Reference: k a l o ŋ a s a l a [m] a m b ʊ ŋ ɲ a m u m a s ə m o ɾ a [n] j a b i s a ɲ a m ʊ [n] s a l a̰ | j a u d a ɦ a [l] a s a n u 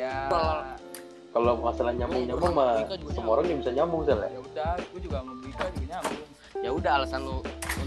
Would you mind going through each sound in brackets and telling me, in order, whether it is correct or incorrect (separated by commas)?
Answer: incorrect, incorrect, incorrect, correct